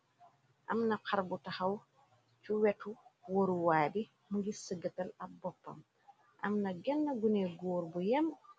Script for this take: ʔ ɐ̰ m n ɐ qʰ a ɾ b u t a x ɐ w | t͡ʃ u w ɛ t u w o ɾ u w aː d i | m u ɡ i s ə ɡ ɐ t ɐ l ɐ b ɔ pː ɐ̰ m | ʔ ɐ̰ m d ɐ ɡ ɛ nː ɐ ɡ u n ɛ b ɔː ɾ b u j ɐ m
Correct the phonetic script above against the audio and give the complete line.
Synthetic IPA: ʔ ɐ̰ m n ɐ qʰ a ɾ b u t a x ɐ w | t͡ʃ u w ɛ t u w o ɾ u w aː d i | m u ɡ i s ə ɡ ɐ t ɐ l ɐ b ɔ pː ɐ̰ m | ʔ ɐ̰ m n ɐ ɡ ɛ nː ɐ ɡ u n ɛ ɡ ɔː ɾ b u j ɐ m